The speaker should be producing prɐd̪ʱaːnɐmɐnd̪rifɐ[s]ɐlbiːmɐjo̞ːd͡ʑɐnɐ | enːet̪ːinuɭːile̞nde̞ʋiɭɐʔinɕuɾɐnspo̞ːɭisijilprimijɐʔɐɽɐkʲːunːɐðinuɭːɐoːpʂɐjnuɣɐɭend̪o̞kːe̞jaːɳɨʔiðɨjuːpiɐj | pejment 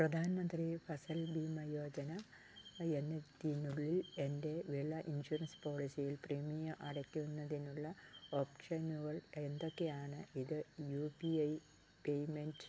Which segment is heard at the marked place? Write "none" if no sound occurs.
s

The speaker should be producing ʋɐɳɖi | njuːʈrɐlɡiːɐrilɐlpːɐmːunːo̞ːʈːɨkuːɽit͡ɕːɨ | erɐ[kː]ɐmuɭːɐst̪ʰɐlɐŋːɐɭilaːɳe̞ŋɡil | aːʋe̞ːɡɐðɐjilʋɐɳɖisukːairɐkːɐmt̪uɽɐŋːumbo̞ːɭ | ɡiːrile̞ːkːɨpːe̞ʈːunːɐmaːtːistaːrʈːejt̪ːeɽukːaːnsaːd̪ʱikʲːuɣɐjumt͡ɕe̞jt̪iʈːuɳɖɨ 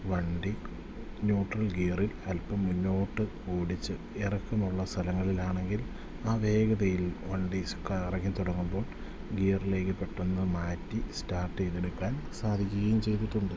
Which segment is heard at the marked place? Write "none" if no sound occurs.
kː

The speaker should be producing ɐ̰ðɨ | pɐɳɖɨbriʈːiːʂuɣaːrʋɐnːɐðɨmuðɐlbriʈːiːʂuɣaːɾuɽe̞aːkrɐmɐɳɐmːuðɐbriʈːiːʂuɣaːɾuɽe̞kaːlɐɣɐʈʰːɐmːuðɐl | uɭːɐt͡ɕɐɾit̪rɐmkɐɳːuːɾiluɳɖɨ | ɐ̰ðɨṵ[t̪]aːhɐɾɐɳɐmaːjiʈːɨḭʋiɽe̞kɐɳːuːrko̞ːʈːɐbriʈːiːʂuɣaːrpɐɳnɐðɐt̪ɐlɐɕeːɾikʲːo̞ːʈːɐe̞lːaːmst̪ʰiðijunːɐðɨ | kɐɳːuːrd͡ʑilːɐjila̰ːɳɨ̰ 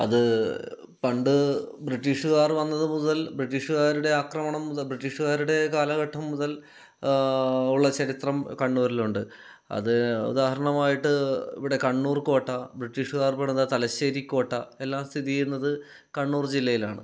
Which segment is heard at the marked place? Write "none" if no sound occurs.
d̪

